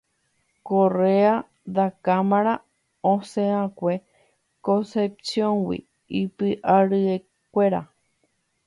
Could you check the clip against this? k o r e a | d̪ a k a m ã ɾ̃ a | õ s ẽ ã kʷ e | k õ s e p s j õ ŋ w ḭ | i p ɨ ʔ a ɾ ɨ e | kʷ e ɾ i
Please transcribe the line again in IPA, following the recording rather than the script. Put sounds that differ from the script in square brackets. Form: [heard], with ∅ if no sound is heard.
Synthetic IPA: k o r e a | d̪ a k a m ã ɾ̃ a | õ s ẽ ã kʷ e | k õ s e p s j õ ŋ w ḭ | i p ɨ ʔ a ɾ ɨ e | kʷ e ɾ [a]